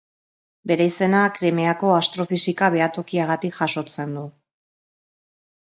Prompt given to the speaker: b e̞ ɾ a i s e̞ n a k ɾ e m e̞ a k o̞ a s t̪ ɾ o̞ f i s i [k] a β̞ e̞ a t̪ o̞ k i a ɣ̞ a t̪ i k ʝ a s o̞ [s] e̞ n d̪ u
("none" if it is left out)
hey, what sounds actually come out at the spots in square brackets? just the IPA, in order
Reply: k, t͡s

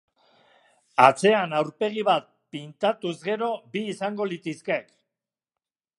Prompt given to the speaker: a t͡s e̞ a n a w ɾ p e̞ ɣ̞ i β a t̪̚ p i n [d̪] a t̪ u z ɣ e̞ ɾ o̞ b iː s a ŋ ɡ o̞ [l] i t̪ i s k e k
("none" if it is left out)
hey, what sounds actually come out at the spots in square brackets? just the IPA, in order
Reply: t̪, l

